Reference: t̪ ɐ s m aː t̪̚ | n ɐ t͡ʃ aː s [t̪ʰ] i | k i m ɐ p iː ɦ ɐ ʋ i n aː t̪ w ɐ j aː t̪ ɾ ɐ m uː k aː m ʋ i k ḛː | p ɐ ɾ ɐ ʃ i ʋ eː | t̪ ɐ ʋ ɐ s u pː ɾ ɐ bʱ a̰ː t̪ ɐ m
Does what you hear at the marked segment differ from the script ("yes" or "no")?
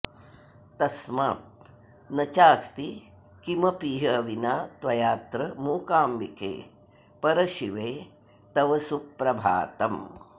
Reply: yes